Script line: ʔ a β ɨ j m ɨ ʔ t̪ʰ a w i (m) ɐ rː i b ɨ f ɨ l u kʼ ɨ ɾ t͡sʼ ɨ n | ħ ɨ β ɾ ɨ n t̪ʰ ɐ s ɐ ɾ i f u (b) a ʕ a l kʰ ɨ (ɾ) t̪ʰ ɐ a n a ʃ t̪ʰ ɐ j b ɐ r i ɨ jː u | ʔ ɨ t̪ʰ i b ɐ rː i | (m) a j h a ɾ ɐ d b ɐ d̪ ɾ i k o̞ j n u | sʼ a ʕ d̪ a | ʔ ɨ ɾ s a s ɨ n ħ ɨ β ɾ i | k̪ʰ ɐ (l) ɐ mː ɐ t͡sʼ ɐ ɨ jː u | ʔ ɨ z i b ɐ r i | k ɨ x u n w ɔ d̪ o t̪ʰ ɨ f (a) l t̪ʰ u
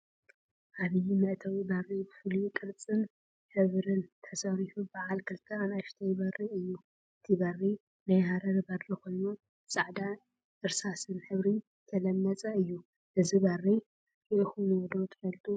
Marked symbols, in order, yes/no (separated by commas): no, yes, no, no, yes, no